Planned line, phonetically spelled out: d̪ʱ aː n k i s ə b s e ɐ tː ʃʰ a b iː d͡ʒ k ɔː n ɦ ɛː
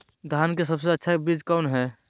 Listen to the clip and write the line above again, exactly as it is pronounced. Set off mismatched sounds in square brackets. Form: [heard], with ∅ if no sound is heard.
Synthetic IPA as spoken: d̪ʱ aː n k [e] s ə b s e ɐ tː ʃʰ a b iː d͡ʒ k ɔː n ɦ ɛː